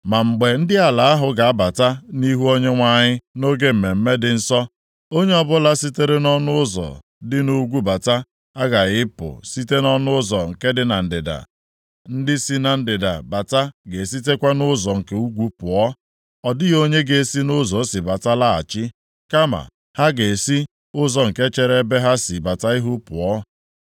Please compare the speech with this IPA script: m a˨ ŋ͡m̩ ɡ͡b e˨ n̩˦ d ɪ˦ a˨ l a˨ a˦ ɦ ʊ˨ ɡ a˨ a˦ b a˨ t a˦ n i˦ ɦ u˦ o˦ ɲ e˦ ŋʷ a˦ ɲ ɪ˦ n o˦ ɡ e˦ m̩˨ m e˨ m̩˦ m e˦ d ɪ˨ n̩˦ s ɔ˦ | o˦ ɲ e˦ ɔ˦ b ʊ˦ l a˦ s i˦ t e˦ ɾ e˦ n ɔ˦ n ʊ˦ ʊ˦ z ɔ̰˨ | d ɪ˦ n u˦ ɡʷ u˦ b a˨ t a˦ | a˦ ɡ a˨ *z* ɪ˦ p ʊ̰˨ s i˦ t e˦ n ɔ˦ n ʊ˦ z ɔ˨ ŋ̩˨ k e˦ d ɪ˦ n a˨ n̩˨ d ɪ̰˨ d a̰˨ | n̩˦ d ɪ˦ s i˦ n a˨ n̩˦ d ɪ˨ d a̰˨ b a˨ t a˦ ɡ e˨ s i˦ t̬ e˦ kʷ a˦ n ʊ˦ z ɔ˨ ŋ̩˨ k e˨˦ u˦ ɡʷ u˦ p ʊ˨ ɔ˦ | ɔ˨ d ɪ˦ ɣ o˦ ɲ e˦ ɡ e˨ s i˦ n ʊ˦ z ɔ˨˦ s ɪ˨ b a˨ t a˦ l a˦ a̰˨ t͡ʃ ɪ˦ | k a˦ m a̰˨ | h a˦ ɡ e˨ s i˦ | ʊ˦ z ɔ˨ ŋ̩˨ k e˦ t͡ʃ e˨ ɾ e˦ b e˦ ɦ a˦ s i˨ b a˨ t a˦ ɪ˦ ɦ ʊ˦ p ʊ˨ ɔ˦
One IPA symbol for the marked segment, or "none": ɣ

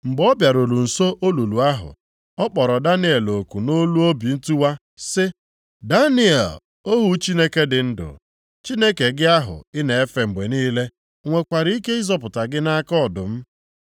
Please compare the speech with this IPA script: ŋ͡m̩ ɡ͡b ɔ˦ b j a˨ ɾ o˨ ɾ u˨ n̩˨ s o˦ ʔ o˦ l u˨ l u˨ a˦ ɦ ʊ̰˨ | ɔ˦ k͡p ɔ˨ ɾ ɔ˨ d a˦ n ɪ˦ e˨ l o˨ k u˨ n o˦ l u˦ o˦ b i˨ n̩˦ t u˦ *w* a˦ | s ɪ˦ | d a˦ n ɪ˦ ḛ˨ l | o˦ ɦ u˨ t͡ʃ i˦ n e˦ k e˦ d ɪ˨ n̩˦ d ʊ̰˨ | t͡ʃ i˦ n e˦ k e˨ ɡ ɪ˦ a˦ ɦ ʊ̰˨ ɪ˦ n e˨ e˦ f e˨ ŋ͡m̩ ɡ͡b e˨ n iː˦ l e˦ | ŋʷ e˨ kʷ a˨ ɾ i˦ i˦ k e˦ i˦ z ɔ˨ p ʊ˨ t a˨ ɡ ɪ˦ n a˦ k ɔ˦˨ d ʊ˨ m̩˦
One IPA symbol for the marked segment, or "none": w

